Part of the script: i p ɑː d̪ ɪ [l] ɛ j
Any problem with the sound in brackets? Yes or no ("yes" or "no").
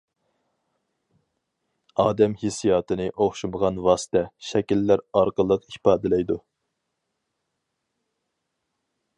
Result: no